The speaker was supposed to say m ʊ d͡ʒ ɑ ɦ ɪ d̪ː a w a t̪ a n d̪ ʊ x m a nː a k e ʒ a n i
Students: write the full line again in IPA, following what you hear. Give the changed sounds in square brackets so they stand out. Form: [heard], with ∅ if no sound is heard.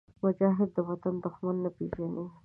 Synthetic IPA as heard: m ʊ d͡ʒ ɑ ɦ ɪ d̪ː [ə] w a t̪ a n d̪ ʊ x m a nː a [p] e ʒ a n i